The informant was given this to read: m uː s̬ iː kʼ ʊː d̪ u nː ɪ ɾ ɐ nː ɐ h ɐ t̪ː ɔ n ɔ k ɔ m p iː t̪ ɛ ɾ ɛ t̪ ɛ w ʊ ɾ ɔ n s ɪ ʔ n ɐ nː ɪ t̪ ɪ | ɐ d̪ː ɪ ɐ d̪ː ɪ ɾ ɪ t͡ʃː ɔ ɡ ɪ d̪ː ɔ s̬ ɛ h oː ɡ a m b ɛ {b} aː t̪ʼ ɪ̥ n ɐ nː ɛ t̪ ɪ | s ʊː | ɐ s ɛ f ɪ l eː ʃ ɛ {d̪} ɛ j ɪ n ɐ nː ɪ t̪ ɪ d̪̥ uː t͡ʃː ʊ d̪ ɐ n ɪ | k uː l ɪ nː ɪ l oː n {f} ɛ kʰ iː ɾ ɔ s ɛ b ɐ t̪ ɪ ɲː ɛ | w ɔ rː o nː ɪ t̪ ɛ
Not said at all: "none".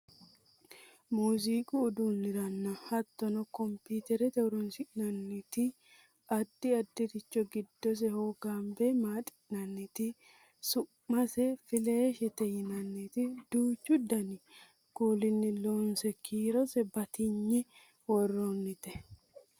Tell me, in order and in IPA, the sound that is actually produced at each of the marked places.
m, t̪, s

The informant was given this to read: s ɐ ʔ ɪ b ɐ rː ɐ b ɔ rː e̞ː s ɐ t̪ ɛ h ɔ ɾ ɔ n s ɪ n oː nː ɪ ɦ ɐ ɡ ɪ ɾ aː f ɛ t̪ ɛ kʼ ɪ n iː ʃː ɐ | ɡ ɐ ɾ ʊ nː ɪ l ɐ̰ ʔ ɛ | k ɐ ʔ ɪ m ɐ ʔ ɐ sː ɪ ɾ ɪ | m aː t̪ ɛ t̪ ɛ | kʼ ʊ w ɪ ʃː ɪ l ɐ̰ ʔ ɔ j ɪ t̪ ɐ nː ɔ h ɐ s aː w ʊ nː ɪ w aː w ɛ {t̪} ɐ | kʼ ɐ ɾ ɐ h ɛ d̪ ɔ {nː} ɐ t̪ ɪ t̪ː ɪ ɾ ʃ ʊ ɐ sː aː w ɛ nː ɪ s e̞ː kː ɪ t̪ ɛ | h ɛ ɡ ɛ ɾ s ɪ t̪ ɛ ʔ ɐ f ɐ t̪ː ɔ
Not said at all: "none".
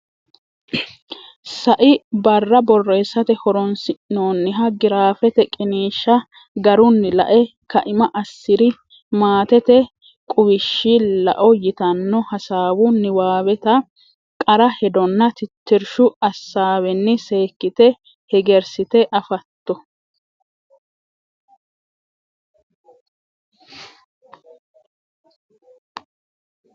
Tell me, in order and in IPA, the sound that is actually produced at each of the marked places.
t̪, nː

